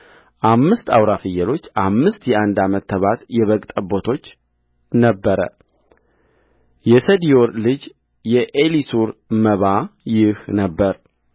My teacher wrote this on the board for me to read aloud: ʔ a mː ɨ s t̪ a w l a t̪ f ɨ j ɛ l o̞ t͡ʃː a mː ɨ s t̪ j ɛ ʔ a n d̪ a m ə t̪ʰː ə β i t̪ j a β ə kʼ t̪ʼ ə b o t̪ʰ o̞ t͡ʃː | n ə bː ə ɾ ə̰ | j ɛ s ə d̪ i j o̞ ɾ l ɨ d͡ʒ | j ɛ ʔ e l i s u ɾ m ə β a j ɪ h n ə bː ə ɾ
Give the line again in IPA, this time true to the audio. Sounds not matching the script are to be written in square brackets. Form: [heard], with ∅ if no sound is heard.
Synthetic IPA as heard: ʔ a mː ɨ s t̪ a w [ɾ] a [∅] f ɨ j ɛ l o̞ t͡ʃː a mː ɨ s t̪ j ɛ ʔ a n d̪ a m ə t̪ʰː ə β [a] t̪ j [ɛ] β ə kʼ t̪ʼ ə b o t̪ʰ o̞ t͡ʃː | n ə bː ə ɾ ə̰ | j ɛ s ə d̪ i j o̞ ɾ l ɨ d͡ʒ | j ɛ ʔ e l i s u ɾ m ə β a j ɪ h n ə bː ə ɾ

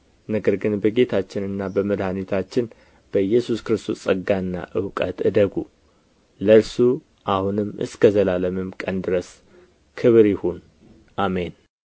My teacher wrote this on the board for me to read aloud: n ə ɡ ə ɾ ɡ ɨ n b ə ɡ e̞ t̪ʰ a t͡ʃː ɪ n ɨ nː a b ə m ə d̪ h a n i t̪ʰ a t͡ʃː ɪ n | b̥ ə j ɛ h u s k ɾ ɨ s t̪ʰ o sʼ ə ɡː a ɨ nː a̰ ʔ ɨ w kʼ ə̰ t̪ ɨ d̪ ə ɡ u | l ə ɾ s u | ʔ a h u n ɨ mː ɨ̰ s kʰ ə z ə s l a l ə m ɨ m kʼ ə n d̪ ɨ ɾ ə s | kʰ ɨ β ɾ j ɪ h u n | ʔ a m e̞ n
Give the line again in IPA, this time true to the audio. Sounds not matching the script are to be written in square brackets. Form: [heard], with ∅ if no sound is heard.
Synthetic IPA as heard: n ə ɡ ə ɾ ɡ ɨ n b ə ɡ e̞ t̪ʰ a t͡ʃː ɪ n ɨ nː a b ə m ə d̪ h a n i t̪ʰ a t͡ʃː ɪ n | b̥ ə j ɛ [s] u s k ɾ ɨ s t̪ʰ o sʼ ə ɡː a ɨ nː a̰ ʔ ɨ w kʼ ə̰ t̪ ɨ d̪ ə ɡ u | l ə ɾ s u | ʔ a h u n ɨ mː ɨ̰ s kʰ ə z ə [∅] l a l ə m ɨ m kʼ ə n d̪ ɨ ɾ ə s | kʰ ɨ β ɾ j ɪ h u n | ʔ a m e̞ n

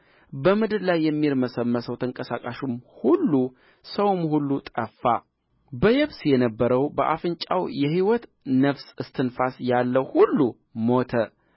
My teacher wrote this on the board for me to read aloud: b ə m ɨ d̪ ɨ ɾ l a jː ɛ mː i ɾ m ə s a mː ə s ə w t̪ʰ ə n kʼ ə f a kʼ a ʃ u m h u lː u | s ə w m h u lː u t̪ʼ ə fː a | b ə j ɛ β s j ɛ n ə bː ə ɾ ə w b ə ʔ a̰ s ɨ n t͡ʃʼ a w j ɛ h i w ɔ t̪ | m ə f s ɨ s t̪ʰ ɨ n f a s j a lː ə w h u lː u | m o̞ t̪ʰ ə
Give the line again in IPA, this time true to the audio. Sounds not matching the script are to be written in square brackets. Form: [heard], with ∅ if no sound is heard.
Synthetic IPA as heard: b ə m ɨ d̪ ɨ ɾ l a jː ɛ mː i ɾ m ə s [ə] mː ə s ə w t̪ʰ ə [ŋ] kʼ ə [s] a kʼ a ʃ u m h u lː u | s ə w m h u lː u t̪ʼ ə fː a | b ə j ɛ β s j ɛ n ə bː ə ɾ ə w b ə ʔ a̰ [f] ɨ n t͡ʃʼ a w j ɛ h i w ɔ t̪ | [n] ə f s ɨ s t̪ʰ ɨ n f a s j a lː ə w h u lː u | m o̞ t̪ʰ ə

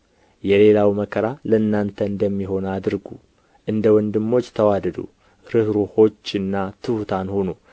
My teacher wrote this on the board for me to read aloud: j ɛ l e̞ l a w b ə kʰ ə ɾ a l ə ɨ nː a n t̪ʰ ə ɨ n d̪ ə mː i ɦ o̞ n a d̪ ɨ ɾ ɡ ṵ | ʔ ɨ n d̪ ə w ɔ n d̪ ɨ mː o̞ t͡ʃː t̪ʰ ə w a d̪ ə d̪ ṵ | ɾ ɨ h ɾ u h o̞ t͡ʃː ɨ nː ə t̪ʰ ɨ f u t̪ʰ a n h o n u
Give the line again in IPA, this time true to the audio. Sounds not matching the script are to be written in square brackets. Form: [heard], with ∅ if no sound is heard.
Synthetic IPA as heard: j ɛ l e̞ l a w [m] ə kʰ ə ɾ a l ə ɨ nː a n t̪ʰ ə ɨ n d̪ ə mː i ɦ o̞ n a d̪ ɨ ɾ ɡ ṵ | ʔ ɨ n d̪ ə w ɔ n d̪ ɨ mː o̞ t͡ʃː t̪ʰ ə w a d̪ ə d̪ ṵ | ɾ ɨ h ɾ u h o̞ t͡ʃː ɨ nː [a] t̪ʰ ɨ [h] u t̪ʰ a n h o n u

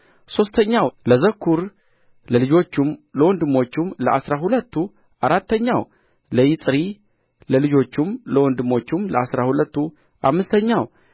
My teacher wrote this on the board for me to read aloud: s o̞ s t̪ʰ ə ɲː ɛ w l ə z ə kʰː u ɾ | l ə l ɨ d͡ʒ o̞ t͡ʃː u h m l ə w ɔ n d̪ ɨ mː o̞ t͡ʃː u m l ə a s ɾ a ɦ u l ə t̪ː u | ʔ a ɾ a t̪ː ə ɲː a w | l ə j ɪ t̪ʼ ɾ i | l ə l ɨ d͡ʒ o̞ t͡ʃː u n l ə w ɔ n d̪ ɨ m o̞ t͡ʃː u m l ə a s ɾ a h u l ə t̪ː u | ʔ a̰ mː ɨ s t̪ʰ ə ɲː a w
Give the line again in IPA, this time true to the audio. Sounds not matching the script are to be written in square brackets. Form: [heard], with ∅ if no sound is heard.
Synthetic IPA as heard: s o̞ s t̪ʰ ə ɲː [a] w l ə z ə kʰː u ɾ | l ə l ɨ d͡ʒ o̞ t͡ʃː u [∅] m l ə w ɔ n d̪ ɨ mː o̞ t͡ʃː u m l ə a s ɾ a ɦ u l ə t̪ː u | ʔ a ɾ a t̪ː ə ɲː a w | l ə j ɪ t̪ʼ ɾ i | l ə l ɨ d͡ʒ o̞ t͡ʃː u [m] l ə w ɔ n d̪ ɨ m o̞ t͡ʃː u m l ə a s ɾ a h u l ə t̪ː u | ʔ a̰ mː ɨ s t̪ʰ ə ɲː a w

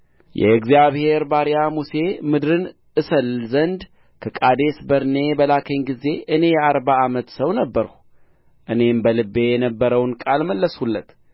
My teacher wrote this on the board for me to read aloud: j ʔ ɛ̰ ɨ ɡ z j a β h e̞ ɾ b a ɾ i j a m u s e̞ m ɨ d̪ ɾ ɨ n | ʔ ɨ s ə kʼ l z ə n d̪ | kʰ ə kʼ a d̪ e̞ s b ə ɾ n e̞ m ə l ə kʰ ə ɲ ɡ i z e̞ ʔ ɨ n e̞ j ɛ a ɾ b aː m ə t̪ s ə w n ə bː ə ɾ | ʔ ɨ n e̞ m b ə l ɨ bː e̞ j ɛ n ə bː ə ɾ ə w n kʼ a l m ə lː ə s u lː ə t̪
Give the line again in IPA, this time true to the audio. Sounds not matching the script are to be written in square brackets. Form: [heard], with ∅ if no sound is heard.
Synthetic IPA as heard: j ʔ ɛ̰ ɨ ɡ z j a β h e̞ ɾ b a ɾ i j a m u s e̞ m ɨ d̪ ɾ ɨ n | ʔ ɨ s ə [∅] l z ə n d̪ | kʰ ə kʼ a d̪ e̞ s b ə ɾ n e̞ [b] ə l [a] kʰ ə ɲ ɡ i z e̞ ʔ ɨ n e̞ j ɛ a ɾ b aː m ə t̪ s ə w n ə bː ə ɾ | ʔ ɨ n e̞ m b ə l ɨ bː e̞ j ɛ n ə bː ə ɾ ə w n kʼ a l m ə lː ə s u lː ə t̪

